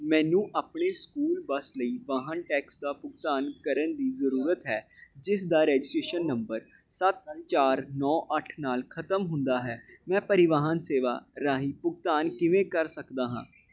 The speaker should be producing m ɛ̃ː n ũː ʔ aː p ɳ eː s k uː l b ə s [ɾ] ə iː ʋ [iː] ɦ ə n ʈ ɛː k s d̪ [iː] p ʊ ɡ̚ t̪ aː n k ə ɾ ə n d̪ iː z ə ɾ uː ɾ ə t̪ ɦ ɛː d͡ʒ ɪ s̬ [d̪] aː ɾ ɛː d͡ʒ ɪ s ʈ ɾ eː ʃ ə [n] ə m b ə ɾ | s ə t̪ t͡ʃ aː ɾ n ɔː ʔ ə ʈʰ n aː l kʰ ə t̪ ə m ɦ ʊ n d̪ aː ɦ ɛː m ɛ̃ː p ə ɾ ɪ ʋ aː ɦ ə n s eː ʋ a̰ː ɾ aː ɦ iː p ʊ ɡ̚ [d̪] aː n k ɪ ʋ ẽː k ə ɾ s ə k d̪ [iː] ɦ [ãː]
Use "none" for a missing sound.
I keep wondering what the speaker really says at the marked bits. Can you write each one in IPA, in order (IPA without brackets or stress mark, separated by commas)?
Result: l, aː, aː, d̪, nː, t̪, aː, ãː